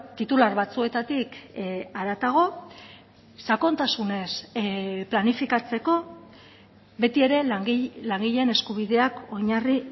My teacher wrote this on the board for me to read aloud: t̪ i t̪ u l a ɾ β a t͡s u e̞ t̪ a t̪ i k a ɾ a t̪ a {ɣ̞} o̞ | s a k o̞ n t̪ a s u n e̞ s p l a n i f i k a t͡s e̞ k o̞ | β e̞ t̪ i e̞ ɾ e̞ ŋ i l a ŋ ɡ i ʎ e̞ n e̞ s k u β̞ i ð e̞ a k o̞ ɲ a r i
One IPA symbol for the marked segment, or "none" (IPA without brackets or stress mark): ɣ̞